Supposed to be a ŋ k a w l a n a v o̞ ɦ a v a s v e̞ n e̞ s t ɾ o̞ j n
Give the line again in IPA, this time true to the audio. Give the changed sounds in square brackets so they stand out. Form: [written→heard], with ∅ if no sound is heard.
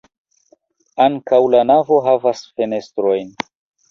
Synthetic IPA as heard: a ŋ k a w l a n a v o̞ ɦ a v a s [v→f] e̞ n e̞ s t ɾ o̞ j n